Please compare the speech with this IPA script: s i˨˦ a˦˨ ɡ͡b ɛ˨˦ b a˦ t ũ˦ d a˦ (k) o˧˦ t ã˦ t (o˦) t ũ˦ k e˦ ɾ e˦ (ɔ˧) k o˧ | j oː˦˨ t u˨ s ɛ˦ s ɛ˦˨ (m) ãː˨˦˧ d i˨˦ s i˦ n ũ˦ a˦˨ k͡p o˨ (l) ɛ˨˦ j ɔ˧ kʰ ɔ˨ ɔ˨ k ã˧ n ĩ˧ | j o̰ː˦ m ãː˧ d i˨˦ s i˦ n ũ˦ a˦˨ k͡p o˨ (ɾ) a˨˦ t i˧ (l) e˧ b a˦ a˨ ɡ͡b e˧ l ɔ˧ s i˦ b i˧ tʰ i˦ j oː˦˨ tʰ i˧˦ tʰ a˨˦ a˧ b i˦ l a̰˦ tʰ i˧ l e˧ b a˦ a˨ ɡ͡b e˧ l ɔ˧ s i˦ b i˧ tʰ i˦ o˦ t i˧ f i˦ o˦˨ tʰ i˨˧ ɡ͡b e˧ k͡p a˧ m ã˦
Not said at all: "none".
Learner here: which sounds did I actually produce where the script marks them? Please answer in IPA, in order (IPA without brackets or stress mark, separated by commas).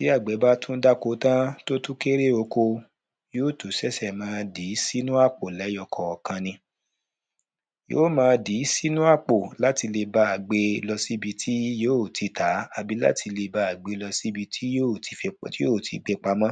k, o˦, o˧, m, l, l, l